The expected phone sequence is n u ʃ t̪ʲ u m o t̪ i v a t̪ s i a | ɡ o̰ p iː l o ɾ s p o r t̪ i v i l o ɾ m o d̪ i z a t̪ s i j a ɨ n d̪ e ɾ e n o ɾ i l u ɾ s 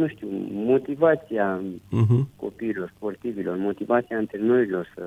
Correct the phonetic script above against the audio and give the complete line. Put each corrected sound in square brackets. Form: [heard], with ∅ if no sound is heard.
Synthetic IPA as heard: n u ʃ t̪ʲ u m o t̪ i v a t̪ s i a | [k] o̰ p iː l o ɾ s p o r t̪ i v i l o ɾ m o [t̪] i [v] a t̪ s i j a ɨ n [t̪] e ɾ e n o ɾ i l [o] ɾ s